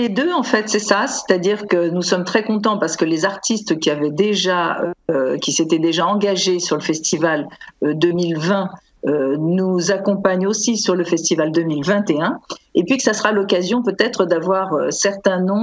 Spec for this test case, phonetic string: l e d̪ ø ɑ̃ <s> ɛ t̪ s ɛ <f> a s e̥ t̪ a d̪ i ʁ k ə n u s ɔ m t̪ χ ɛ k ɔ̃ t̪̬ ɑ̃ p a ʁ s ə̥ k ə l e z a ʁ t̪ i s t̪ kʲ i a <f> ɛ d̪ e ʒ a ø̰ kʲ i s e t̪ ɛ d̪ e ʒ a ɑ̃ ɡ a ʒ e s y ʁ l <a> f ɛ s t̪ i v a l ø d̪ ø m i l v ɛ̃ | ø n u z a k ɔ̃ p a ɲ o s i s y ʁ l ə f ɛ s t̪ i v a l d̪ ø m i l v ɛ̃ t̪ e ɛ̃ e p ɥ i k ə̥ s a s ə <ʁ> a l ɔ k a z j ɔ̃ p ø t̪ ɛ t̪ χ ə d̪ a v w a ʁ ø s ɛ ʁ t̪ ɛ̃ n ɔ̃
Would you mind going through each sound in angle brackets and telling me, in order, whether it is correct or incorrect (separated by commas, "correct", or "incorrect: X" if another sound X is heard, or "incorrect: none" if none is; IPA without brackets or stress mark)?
incorrect: f, incorrect: s, incorrect: v, incorrect: ə, correct